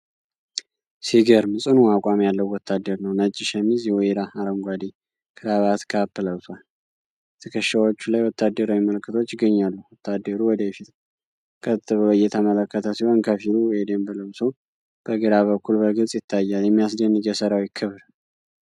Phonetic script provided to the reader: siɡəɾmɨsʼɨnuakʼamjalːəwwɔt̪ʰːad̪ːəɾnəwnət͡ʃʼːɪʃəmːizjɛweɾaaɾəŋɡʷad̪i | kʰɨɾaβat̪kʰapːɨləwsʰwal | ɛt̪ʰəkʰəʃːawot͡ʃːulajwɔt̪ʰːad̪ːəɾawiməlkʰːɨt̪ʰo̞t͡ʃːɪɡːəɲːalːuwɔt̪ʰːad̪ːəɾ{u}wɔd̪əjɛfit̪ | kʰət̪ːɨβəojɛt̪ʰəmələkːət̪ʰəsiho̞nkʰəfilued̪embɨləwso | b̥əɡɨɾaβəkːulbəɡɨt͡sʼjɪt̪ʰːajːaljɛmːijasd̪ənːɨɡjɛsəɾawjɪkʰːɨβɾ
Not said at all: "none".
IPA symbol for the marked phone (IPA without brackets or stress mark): u